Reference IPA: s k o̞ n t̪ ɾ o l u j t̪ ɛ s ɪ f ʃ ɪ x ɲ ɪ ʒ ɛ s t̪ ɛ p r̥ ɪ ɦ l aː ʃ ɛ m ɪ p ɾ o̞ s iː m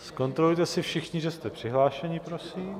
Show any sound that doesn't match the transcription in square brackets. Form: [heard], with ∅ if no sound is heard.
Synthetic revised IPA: s k o̞ n t̪ ɾ o l u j t̪ ɛ s ɪ f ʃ ɪ x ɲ ɪ ʒ ɛ s t̪ ɛ p r̥ ɪ ɦ l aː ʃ ɛ [ɲ] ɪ p ɾ o̞ s iː m

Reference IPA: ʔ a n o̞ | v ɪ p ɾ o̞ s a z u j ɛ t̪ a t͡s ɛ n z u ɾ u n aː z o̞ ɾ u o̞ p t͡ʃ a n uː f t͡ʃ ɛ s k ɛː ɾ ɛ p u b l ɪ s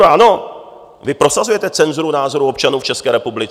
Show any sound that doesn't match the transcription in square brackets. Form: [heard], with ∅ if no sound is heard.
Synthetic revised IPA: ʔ a n o̞ | v ɪ p ɾ o̞ s a z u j ɛ t̪ [ɛ] t͡s ɛ n z u ɾ u n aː z o̞ ɾ u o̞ p t͡ʃ a n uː f t͡ʃ ɛ s k ɛː ɾ ɛ p u b l ɪ [t͡s]

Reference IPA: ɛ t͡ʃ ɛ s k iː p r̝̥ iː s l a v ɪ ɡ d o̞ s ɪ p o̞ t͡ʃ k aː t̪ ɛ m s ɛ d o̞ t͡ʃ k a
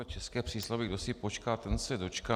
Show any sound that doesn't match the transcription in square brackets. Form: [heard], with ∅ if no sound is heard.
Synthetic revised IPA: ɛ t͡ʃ ɛ s k [ɛː] p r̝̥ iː s l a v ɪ ɡ d o̞ s ɪ p o̞ t͡ʃ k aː t̪ ɛ [n] s ɛ d o̞ t͡ʃ k a

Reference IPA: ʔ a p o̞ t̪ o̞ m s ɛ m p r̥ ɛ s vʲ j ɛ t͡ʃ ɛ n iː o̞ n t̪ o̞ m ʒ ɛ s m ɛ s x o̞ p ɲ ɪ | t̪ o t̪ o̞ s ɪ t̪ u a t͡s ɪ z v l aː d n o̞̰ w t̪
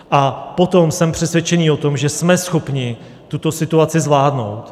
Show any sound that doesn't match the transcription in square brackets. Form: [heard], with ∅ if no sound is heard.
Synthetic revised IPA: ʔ a p o̞ t̪ o̞ m s ɛ m p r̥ ɛ s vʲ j ɛ t͡ʃ ɛ n iː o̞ [∅] t̪ o̞ m ʒ ɛ s m ɛ s x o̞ p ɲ ɪ | t̪ [u] t̪ o̞ s ɪ t̪ u a t͡s ɪ z v l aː d n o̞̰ w t̪

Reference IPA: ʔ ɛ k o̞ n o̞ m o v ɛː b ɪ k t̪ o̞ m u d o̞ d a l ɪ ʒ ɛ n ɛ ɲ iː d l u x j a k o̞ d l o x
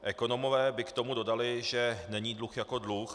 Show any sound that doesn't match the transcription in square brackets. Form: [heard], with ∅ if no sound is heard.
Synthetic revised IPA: ʔ ɛ k o̞ n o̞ m o v ɛː b ɪ k t̪ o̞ m u d o̞ d a l ɪ ʒ ɛ n ɛ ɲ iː d l u x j a k o̞ d l [u] x

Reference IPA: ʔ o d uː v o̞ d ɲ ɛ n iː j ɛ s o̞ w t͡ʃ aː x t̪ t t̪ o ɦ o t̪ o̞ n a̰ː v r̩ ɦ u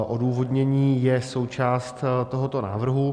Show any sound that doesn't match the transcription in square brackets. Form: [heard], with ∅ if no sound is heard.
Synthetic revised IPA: ʔ o d uː v o̞ d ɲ ɛ [ɲ] iː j ɛ s o̞ w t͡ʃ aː [s] t̪ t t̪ o ɦ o t̪ o̞ n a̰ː v r̩ ɦ u

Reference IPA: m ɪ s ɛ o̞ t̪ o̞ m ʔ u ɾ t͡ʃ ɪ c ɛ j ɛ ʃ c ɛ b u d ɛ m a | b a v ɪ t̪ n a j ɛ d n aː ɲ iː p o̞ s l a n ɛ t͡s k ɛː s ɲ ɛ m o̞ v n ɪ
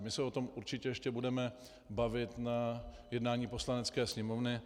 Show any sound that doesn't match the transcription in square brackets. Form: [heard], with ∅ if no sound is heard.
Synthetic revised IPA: m ɪ s ɛ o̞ t̪ o̞ m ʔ u ɾ t͡ʃ ɪ c ɛ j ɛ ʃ c ɛ b u d ɛ m [ɛ] | b a v ɪ t̪ n a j ɛ d n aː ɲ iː p o̞ s l a n ɛ t͡s k ɛː s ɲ ɛ m o̞ v n ɪ

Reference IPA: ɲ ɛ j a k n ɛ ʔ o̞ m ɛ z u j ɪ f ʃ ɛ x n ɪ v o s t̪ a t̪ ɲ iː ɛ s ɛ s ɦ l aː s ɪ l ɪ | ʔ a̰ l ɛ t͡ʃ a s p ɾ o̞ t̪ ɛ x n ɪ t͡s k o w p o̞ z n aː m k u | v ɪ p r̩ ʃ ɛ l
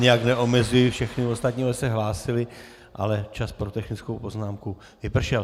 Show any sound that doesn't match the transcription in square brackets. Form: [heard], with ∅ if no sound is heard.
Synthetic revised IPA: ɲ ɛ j a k n ɛ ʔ o̞ m ɛ z u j ɪ f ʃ ɛ x n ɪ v o s t̪ a t̪ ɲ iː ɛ s ɛ [∅] ɦ l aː s ɪ l ɪ | ʔ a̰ l ɛ t͡ʃ a s p ɾ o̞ t̪ ɛ x n ɪ t͡s k o w p o̞ z n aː m k u | v ɪ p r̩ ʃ ɛ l

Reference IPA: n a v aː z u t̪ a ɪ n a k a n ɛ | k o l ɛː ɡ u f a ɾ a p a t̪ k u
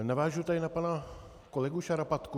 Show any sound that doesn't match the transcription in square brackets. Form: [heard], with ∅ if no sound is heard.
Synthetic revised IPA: n a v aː [ʒ] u t̪ a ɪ n a [p] a n [a] | k o l [ɛ] ɡ u [ʃ] a ɾ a p a t̪ k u

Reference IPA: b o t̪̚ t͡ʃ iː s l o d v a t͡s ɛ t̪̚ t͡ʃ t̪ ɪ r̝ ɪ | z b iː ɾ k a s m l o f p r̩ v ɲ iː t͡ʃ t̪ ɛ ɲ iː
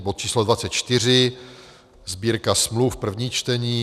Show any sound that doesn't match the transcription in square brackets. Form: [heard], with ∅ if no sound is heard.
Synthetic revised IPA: b o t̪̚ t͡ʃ iː s l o d v a t͡s ɛ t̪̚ t͡ʃ t̪ ɪ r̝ ɪ | z b iː ɾ k a s m l [u] f p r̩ v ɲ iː t͡ʃ t̪ ɛ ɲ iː

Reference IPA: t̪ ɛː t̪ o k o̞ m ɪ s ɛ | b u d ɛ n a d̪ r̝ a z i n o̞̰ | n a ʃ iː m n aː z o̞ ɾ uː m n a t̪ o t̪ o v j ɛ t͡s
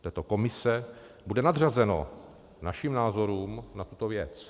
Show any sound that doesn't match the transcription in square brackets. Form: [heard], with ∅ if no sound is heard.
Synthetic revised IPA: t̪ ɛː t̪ o k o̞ m ɪ s ɛ | b u d ɛ n a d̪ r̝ a z [ɛ] n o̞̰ | n a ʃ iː m n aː z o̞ ɾ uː m n a t̪ [u] t̪ o v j ɛ t͡s

